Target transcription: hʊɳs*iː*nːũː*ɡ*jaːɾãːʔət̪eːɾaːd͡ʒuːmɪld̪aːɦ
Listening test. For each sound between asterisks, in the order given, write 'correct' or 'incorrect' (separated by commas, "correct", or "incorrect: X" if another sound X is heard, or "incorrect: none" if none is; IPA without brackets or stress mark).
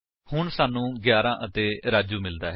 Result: incorrect: aː, correct